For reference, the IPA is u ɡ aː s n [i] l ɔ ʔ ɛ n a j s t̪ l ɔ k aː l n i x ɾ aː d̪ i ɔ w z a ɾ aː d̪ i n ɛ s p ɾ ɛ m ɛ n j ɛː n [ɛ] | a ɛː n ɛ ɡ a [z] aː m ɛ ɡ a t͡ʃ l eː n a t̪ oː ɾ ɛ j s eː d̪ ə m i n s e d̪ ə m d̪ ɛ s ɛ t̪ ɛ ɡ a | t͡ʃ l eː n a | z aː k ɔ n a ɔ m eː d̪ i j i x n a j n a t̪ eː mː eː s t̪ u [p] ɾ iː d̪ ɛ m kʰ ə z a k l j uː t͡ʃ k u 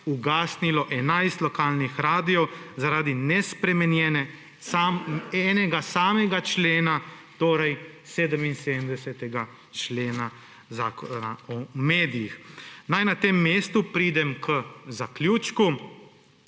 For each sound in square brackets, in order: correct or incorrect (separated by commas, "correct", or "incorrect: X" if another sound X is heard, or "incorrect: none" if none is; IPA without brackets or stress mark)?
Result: correct, correct, incorrect: s, correct